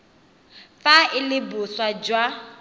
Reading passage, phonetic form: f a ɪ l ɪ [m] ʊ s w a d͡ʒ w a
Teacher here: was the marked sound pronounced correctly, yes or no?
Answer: no